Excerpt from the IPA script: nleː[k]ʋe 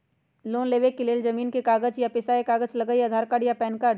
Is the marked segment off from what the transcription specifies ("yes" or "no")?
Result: yes